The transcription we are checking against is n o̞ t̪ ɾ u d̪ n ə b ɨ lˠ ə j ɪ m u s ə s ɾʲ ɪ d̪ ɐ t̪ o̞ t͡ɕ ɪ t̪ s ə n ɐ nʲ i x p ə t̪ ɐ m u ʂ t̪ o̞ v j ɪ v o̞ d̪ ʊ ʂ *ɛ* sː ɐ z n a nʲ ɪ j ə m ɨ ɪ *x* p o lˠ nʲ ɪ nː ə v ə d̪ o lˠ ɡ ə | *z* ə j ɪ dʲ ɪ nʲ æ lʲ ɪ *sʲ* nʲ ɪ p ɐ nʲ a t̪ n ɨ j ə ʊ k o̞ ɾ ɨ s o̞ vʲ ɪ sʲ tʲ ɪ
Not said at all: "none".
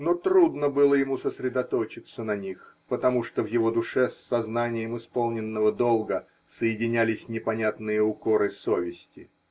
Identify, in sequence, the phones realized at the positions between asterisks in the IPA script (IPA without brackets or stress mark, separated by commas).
ɛ, s, s, sʲ